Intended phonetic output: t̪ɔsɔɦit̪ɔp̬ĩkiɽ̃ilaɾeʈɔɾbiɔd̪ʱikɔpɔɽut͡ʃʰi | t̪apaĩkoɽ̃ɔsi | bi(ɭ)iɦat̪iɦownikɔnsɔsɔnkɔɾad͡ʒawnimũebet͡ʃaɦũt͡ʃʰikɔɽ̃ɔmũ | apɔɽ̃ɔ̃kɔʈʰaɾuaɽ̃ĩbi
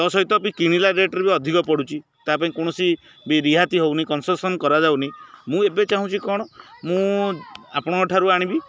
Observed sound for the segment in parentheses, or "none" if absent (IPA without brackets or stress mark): ɾ